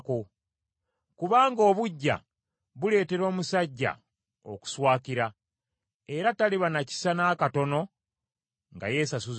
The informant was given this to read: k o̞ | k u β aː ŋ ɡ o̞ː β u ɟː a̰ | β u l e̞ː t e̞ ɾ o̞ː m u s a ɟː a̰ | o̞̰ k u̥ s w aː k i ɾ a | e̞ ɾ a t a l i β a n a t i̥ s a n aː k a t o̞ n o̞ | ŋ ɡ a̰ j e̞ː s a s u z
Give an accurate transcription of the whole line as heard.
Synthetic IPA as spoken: k o̞ | k u β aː ŋ ɡ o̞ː β u ɟː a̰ | β u l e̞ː t e̞ ɾ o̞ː m u s a ɟː a̰ | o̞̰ k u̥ s w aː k i ɾ a | e̞ ɾ a t a l i β a n a c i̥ s a n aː k a t o̞ n o̞ | ŋ ɡ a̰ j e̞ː s a s u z